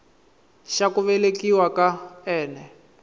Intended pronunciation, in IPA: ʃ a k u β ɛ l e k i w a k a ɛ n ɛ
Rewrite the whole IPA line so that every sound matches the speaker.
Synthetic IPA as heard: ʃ a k u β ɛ l e k i w a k a ɛː n ɛ

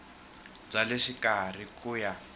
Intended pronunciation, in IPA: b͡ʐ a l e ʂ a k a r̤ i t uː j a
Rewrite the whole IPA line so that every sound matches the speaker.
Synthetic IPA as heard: b͡ʐ a l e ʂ i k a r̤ i k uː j a

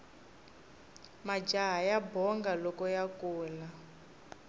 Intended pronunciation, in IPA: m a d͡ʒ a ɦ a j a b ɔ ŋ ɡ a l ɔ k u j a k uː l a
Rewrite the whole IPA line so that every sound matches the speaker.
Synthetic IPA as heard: m a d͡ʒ a ɦ a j a b ɔ ŋ ɡ a l ɔ k ɔ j a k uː l a

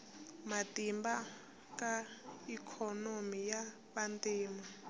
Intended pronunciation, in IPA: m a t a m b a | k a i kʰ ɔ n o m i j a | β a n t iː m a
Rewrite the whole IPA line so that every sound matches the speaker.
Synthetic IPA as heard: m a t i m b a | k a i kʰ ɔ n o m i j a | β a n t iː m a

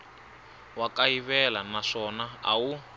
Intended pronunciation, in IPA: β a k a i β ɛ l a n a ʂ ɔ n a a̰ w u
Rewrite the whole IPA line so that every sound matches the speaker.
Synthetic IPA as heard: w a k a i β ɛ l a n a ʂ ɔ n a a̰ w u

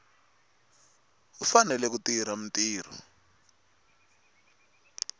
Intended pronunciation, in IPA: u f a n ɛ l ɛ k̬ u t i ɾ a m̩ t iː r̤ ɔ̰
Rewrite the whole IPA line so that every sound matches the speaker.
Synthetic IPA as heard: u f a n ɛ l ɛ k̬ u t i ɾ a m̩ t iː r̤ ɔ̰

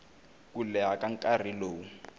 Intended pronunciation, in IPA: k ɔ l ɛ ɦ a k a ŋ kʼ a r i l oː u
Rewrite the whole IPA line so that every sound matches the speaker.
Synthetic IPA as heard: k u l ɛ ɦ a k a ŋ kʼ a r i l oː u

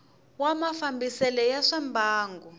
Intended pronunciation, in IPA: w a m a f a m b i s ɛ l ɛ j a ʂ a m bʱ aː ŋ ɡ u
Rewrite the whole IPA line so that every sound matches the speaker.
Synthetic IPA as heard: w a m a f a m b i s ɛ l ɛ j a ʂ a m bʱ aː ŋ ɡ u

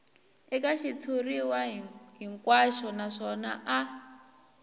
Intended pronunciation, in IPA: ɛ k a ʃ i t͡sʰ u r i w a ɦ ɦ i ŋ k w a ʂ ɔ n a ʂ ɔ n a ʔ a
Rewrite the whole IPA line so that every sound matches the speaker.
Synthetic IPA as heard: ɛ k a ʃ i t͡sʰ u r i w a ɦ ɦ i ŋ k w a ʃ ɔ n a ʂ ɔ n a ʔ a

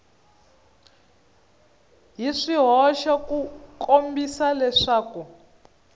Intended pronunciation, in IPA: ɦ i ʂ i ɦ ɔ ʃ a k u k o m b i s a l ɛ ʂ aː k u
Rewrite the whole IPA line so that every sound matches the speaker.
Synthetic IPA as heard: ɦ i ʂ i ɦ ɔ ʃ a k u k o m b i s a l ɛ ʂ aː k u

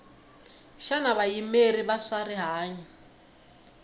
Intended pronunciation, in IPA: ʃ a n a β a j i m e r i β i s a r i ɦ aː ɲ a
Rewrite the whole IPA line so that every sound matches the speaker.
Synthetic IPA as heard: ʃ a n a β a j i m e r i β a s a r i ɦ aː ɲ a

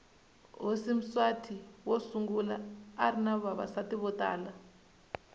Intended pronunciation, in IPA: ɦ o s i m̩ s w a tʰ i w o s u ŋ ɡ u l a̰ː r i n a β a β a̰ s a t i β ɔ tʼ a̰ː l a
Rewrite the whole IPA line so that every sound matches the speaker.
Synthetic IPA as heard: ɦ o s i m̩ s w a tʰ i w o s u ŋ ɡ u l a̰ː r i n a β a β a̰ s a t i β ɔ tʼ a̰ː l a

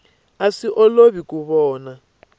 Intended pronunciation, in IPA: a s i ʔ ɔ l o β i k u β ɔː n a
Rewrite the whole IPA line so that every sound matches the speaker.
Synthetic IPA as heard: a s i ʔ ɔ l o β i k u β ɔː n a

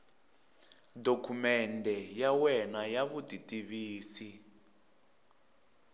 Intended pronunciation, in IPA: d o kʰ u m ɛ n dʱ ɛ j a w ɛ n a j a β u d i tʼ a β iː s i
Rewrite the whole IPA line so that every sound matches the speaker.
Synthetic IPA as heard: d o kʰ u m ɛ n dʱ ɛ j a w ɛ n a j a β u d i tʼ i β iː s i

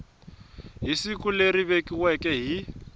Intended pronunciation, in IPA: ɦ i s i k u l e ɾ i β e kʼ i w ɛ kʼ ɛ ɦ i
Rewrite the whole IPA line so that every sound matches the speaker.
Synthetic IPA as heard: ɦ i s i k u l e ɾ i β e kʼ i w ɛ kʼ ɛ ɦ i

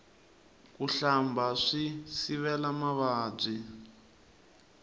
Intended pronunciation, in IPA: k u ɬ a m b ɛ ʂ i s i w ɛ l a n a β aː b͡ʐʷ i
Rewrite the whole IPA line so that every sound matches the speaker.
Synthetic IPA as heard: k u ɬ a m b a ʂ i s i β ɛ l a m a β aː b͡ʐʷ i

